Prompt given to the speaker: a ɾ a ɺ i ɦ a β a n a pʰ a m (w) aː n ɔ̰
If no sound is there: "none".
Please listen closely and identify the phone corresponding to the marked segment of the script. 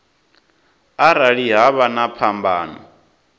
b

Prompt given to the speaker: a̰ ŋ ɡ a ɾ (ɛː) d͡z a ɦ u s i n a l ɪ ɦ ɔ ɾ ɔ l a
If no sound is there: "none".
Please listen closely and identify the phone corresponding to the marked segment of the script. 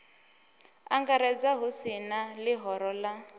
ɛ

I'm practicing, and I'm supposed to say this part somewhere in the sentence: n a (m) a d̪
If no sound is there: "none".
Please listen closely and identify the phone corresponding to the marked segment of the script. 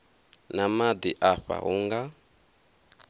m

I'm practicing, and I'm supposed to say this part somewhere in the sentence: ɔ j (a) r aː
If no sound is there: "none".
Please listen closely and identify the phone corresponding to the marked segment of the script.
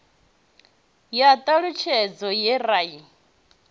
ɛ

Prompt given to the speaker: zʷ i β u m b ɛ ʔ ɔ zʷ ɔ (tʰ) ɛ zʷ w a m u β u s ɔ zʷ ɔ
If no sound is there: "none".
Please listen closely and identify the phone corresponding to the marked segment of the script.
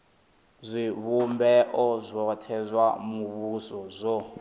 tʰ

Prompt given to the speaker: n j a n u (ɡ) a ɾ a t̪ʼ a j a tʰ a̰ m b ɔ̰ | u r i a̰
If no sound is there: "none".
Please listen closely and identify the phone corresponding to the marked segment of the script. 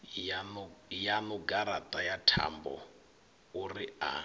ɡ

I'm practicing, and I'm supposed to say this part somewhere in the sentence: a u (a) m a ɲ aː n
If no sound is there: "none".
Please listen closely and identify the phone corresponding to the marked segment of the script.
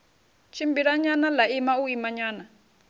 i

